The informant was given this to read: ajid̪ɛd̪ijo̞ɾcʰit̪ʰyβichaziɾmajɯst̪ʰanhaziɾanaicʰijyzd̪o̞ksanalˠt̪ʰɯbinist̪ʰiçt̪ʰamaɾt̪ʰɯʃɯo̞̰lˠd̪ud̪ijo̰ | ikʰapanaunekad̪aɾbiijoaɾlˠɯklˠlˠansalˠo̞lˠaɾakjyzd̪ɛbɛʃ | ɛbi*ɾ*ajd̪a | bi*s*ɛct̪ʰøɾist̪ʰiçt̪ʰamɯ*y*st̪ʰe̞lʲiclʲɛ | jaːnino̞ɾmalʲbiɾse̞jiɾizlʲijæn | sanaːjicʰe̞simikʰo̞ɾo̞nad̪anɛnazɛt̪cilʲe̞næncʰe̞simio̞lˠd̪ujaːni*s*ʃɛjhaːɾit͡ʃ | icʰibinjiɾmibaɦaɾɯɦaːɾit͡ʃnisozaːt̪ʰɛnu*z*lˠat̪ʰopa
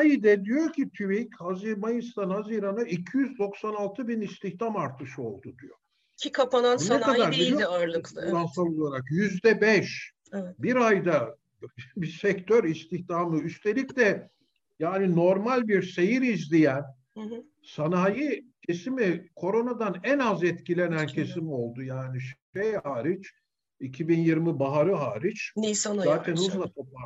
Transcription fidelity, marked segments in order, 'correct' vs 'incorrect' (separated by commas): correct, correct, correct, incorrect, correct